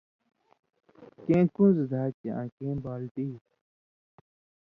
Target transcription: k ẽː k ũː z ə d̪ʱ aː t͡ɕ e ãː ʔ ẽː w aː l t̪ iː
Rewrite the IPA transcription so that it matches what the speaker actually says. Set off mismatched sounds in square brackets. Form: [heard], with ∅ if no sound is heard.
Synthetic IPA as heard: k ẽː k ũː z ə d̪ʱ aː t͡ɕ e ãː [k] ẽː [b] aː l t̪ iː